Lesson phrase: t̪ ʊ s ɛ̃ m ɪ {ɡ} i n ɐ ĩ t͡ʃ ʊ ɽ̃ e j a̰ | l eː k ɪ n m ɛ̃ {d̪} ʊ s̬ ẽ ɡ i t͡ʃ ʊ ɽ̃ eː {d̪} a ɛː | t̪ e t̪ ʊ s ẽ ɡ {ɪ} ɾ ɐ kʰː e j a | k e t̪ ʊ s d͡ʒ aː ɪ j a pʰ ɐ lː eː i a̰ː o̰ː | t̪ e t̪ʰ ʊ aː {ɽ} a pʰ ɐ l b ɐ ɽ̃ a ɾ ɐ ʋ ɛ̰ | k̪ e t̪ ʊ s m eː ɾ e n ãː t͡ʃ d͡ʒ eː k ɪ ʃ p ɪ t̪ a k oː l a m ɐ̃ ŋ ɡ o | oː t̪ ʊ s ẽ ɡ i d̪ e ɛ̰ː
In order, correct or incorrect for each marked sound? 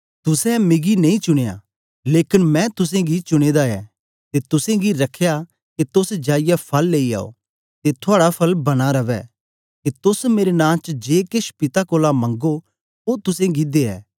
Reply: correct, incorrect: t̪, correct, incorrect: i, correct

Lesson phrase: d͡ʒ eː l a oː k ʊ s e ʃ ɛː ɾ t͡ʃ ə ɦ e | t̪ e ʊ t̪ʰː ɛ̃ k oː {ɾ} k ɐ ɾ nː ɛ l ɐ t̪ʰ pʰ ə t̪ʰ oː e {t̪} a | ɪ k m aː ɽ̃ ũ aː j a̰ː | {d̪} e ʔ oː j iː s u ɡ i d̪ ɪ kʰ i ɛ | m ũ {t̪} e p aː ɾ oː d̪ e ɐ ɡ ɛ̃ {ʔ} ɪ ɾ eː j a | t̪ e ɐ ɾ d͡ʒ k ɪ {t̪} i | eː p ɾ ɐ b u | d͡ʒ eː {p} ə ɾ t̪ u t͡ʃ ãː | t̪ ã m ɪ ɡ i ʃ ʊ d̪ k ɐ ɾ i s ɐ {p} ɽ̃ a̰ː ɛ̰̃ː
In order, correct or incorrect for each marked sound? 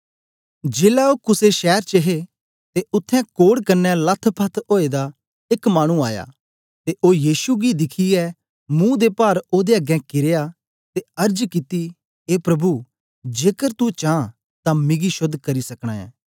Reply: incorrect: ɽ, incorrect: d̪, incorrect: t̪, incorrect: d̪, incorrect: k, correct, incorrect: k, incorrect: k

